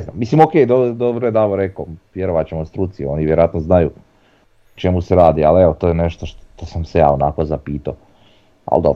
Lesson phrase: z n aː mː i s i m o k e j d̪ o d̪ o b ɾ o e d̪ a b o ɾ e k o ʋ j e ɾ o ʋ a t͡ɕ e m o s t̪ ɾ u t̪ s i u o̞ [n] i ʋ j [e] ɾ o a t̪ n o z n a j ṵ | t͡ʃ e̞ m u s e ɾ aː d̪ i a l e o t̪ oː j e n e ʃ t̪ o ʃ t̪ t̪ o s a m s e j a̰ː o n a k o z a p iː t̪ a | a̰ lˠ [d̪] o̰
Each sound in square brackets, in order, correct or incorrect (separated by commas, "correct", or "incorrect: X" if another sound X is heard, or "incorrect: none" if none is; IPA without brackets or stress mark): correct, correct, correct